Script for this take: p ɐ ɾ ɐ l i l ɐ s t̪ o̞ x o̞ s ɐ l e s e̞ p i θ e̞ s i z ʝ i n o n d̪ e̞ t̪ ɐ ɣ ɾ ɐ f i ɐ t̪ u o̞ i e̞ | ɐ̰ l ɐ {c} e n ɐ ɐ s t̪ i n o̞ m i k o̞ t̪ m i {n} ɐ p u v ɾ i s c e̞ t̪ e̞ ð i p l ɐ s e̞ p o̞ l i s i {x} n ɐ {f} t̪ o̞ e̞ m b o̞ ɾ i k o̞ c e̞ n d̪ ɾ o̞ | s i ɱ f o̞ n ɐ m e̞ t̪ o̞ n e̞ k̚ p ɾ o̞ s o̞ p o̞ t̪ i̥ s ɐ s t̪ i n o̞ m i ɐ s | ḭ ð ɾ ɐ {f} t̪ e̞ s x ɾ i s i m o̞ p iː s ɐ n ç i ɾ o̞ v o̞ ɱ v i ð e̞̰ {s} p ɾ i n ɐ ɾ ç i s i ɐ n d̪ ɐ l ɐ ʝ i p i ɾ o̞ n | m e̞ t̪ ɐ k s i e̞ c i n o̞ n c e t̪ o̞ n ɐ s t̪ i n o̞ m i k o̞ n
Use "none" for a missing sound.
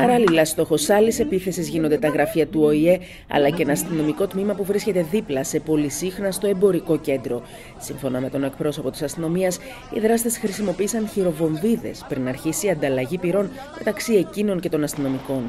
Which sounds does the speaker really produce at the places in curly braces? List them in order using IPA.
c, m, x, s, s, s

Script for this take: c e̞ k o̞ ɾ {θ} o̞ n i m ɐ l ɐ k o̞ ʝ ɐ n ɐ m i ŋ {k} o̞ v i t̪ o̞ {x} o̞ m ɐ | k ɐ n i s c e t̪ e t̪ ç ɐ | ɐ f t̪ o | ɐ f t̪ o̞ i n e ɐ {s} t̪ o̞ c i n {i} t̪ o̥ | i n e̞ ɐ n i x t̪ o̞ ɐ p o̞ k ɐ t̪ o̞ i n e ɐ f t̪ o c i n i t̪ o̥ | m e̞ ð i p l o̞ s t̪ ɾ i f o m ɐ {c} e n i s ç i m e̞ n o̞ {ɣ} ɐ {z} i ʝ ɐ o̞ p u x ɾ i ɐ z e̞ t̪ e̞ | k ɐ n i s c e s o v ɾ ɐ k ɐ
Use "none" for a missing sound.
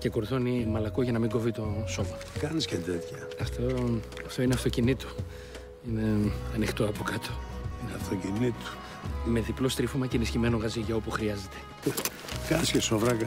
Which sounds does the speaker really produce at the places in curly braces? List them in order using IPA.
θ, ɡ, s, f, i, c, ɣ, z

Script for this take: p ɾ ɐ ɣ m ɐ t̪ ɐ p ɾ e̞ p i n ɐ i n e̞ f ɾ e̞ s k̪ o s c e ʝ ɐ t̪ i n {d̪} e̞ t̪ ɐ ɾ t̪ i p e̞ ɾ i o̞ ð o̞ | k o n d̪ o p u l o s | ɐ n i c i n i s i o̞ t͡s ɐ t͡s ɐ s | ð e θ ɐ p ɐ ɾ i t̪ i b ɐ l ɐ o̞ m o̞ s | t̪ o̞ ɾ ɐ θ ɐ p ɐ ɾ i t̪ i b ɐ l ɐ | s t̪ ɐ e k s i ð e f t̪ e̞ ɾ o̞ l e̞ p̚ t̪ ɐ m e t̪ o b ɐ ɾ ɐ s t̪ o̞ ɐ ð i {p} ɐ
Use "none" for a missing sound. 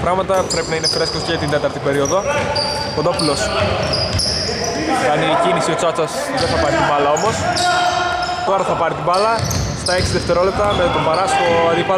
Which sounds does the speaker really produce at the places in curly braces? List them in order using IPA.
d̪, p

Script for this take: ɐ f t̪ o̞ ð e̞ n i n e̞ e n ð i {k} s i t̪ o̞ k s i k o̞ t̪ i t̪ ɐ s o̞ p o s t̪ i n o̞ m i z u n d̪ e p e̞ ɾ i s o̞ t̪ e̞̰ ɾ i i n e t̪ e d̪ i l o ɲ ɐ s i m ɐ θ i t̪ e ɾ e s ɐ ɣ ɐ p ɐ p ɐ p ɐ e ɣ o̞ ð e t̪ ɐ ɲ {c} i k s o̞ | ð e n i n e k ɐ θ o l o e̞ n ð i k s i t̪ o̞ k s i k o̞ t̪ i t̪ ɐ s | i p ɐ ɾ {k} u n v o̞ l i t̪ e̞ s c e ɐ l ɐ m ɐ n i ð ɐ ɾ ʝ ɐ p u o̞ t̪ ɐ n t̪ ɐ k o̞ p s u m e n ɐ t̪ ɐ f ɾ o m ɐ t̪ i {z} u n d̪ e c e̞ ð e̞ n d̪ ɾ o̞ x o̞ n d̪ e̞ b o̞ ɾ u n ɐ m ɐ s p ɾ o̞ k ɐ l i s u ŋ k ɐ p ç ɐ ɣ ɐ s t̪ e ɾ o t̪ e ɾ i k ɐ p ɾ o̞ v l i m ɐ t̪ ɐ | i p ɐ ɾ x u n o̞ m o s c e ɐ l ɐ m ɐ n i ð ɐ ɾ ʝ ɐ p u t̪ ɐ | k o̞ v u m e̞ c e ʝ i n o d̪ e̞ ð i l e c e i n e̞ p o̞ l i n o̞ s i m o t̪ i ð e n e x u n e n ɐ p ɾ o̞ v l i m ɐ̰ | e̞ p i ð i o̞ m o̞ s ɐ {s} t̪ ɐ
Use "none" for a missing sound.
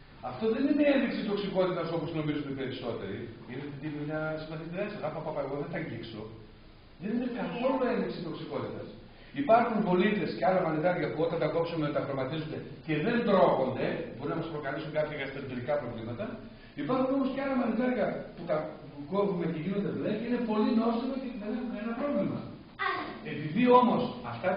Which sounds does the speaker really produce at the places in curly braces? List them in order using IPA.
k, ɟ, x, z, f

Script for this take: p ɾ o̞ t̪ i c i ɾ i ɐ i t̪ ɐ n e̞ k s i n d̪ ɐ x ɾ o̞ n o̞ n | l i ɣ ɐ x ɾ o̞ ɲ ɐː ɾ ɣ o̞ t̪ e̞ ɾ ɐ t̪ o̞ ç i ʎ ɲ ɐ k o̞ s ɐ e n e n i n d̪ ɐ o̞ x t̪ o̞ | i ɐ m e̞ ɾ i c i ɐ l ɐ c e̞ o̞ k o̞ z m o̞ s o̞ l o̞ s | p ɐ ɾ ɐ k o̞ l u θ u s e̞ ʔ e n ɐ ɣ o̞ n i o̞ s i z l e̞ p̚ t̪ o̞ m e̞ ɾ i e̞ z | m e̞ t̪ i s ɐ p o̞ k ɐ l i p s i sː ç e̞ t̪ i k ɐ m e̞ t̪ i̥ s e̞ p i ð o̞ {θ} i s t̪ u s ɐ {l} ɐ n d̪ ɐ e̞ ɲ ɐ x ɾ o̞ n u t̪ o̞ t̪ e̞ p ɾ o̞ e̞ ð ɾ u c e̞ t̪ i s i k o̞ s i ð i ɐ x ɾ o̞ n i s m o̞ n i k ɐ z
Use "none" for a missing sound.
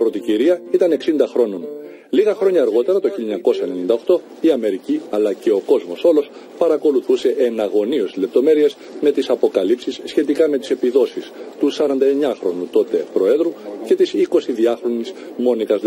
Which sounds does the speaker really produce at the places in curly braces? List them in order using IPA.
s, ɾ

